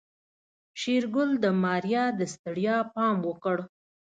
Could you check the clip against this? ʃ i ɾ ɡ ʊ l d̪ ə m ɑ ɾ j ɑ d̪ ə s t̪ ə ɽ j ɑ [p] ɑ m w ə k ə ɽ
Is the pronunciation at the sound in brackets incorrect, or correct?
correct